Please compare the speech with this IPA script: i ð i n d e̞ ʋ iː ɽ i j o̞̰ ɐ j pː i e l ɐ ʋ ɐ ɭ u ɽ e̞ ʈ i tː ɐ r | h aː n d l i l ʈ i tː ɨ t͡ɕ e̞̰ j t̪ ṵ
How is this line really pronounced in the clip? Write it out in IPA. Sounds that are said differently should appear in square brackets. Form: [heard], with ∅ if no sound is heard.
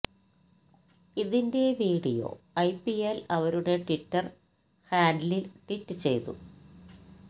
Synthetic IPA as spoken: i ð i n d e̞ ʋ iː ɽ i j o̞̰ ɐ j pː i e l ɐ ʋ ɐ [ɾ] u ɽ e̞ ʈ i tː ɐ r | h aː n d l i l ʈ i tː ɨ t͡ɕ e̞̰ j t̪ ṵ